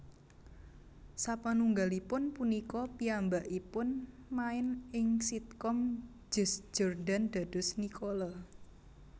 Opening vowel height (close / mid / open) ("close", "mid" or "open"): open